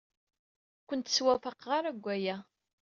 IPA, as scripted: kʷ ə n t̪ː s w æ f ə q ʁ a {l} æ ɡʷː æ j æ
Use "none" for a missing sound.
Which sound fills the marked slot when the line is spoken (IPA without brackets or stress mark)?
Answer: ɾ